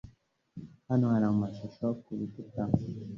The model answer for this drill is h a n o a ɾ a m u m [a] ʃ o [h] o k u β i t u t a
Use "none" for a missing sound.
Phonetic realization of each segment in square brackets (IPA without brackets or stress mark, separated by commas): a, ʃ